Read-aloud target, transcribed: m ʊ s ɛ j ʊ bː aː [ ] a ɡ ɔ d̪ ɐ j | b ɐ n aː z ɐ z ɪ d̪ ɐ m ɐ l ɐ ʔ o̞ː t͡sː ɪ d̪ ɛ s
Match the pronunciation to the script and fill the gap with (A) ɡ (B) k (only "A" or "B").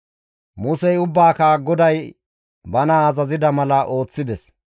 B